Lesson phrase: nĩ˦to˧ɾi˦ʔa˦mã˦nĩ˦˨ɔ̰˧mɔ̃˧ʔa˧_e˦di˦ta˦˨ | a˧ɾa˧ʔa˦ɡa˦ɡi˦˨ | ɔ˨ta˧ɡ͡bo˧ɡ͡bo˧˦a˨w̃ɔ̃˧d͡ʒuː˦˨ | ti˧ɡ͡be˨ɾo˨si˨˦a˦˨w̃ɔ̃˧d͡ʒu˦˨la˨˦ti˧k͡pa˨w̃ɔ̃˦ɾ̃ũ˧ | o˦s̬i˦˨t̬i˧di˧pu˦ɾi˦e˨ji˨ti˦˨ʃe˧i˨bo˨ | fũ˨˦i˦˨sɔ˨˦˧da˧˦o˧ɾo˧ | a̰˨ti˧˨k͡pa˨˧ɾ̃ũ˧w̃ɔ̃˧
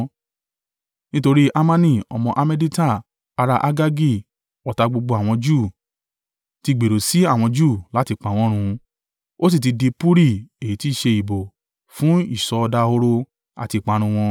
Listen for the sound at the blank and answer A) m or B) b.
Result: A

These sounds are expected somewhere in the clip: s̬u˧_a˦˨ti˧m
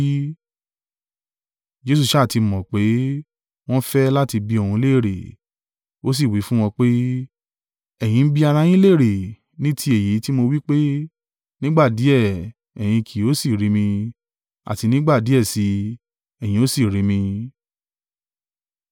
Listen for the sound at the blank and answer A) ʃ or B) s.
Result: A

